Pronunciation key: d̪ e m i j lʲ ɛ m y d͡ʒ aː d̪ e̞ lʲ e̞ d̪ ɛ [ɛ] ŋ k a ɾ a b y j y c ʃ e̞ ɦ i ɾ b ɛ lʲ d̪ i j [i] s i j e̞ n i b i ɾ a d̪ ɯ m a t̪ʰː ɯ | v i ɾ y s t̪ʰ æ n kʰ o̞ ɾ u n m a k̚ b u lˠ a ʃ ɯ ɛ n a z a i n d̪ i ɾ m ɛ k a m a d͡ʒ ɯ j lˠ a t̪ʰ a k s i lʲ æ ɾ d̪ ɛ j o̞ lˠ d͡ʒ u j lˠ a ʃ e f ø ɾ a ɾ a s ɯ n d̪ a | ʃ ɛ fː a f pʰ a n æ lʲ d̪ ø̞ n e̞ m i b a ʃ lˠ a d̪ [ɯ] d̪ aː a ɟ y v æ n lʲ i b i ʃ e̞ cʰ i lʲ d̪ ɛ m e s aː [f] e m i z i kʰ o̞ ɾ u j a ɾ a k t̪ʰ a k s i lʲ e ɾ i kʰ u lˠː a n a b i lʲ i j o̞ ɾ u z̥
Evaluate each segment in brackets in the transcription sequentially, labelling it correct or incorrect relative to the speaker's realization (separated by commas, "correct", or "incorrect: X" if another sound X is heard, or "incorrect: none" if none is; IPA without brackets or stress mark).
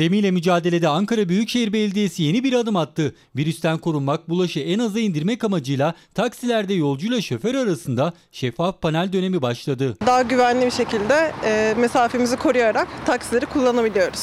incorrect: a, incorrect: e, correct, correct